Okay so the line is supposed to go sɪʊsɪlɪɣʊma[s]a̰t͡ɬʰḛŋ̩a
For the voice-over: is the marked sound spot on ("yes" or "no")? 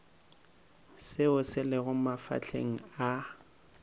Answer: no